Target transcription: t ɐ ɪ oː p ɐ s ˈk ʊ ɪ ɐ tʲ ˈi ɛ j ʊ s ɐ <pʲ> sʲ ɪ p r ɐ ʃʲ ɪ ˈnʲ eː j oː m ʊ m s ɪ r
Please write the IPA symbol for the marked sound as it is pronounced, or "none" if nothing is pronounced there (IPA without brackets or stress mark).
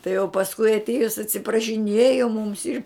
tʲ